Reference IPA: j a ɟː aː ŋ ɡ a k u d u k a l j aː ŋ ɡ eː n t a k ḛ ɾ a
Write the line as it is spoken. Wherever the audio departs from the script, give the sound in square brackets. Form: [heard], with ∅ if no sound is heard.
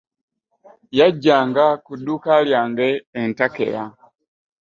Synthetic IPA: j a ɟː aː ŋ ɡ a k u d u k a l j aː ŋ ɡ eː n t a k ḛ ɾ a